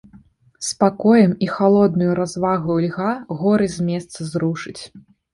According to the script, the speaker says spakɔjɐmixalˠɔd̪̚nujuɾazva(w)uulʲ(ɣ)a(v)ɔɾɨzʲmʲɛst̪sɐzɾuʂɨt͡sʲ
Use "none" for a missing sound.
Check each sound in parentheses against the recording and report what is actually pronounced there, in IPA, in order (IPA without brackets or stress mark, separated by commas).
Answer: ɣ, ɣ, ɣ